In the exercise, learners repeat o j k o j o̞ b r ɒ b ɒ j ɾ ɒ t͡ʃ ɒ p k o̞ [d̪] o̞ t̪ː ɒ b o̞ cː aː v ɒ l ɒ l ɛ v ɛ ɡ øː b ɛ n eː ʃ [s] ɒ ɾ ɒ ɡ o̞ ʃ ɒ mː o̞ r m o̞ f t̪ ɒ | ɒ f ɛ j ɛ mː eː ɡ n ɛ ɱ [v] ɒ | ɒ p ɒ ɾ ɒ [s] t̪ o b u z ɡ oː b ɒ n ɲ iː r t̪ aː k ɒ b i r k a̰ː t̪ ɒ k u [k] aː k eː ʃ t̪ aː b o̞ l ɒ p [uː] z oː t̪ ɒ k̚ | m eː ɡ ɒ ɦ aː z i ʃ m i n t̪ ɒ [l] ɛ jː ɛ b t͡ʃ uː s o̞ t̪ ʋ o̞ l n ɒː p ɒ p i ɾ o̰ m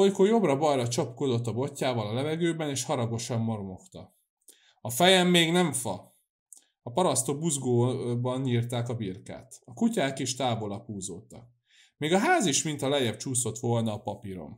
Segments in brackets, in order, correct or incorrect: correct, incorrect, incorrect, correct, incorrect, correct, correct

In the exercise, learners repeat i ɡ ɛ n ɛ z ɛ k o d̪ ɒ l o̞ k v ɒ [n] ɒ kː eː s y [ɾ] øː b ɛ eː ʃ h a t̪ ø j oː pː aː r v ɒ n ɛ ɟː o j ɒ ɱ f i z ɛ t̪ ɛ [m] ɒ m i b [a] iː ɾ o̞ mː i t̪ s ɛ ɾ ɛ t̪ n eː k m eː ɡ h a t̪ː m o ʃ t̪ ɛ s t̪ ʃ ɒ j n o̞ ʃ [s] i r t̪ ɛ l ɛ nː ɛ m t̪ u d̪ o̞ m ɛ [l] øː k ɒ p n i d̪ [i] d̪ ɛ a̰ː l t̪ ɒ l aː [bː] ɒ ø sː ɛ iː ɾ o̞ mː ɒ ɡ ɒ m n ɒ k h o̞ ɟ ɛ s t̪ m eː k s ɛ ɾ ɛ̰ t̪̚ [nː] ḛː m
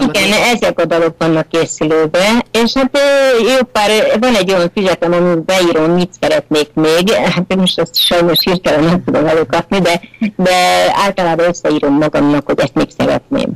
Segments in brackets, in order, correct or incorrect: incorrect, incorrect, correct, incorrect, incorrect, correct, incorrect, incorrect, incorrect

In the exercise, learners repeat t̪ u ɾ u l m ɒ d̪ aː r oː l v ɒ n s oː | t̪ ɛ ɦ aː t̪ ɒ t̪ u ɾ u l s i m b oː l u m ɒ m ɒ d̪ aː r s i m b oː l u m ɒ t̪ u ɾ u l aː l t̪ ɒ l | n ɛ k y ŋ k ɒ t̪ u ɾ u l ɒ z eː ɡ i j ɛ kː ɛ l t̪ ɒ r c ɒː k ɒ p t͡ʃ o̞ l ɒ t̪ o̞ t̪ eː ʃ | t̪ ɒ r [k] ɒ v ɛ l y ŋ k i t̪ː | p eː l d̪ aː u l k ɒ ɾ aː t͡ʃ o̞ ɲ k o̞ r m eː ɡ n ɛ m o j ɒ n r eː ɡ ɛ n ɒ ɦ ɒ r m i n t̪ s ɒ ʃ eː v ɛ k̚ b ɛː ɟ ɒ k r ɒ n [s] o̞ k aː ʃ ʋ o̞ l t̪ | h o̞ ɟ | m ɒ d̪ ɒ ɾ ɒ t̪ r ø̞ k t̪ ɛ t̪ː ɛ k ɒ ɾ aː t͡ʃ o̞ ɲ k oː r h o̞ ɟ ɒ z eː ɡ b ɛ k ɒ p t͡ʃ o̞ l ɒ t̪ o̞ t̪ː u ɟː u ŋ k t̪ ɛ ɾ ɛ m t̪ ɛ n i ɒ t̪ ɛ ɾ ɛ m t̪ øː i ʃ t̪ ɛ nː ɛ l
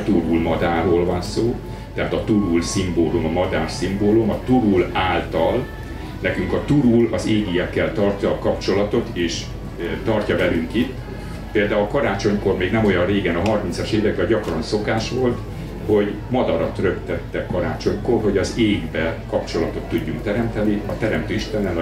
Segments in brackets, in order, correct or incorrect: incorrect, correct

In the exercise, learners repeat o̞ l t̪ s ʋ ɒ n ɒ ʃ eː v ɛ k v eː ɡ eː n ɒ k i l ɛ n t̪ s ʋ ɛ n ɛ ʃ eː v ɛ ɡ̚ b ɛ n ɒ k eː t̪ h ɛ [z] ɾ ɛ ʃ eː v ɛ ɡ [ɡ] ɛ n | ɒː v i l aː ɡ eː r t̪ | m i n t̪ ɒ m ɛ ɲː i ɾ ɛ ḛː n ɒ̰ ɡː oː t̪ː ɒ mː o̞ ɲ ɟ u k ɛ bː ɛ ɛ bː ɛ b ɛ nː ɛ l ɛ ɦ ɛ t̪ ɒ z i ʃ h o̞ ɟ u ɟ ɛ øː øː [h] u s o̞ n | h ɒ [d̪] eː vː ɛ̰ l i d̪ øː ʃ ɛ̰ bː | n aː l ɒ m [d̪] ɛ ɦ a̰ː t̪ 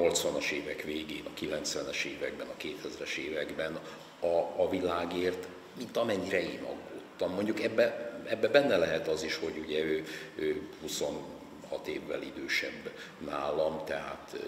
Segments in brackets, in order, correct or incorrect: correct, incorrect, correct, incorrect, incorrect

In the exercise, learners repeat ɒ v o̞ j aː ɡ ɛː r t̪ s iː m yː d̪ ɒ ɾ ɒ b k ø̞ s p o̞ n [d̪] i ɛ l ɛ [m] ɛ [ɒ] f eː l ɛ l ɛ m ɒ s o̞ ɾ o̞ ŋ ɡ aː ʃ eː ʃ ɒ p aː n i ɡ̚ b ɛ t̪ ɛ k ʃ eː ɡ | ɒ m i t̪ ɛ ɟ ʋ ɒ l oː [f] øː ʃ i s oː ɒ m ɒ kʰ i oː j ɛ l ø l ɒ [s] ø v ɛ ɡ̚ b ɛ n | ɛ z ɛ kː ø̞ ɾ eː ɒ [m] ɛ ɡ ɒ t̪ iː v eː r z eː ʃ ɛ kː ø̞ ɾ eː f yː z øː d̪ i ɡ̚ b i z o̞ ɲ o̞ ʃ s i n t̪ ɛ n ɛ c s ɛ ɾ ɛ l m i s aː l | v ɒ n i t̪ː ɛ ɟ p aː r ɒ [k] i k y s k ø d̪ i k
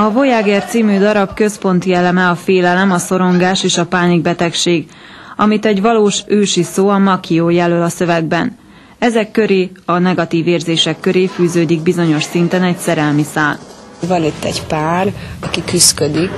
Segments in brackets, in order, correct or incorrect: incorrect, correct, correct, incorrect, correct, incorrect, correct

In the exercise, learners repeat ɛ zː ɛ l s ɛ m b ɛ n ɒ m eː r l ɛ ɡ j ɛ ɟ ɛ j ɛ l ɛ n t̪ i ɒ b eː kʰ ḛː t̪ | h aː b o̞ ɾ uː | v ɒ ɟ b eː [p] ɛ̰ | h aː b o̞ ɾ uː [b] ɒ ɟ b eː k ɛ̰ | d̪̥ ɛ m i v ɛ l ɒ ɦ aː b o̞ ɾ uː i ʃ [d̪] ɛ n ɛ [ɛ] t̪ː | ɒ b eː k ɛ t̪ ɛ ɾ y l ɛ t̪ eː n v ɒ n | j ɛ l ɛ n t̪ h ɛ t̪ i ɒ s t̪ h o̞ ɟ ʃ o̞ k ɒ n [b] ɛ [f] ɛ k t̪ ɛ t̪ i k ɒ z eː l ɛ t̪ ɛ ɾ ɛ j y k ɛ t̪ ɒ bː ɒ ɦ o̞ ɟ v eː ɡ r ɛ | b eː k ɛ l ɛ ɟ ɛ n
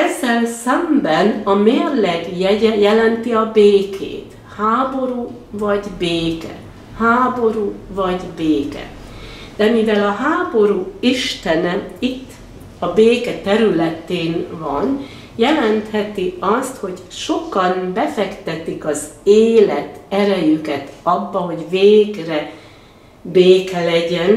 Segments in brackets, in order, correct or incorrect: incorrect, incorrect, incorrect, incorrect, correct, correct

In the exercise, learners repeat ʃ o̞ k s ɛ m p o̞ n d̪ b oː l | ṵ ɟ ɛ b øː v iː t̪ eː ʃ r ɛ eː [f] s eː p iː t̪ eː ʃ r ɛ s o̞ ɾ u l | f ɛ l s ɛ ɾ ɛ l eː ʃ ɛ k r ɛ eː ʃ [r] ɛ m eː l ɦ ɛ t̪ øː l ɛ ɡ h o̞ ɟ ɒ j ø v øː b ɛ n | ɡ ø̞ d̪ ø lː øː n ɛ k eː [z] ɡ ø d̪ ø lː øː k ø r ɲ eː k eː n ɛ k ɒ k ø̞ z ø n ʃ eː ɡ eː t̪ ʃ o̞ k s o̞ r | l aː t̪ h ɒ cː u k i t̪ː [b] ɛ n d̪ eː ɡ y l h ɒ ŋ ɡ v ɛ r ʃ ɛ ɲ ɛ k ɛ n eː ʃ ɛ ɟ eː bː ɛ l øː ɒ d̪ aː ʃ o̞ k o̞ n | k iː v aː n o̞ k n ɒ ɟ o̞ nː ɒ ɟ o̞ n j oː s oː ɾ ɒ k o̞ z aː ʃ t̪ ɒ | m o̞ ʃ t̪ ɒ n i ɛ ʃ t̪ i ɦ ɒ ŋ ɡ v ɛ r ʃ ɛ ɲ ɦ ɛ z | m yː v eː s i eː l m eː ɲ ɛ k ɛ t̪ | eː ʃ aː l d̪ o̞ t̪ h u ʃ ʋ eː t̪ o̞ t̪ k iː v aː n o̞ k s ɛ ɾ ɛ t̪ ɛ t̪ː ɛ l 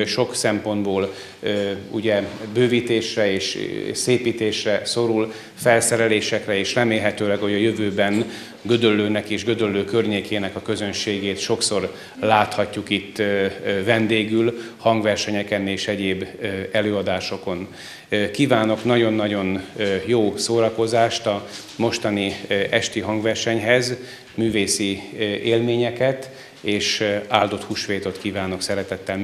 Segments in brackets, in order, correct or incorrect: incorrect, correct, incorrect, incorrect

